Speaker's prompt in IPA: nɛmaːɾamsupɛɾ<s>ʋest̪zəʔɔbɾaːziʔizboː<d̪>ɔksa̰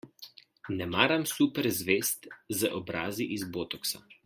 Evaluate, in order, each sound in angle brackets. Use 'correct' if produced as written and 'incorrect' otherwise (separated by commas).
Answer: incorrect, incorrect